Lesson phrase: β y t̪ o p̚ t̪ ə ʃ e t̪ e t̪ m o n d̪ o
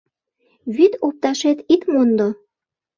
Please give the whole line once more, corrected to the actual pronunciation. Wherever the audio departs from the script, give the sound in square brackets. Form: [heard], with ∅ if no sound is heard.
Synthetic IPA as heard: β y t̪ o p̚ t̪ [ɑ] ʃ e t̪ [i] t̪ m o n d̪ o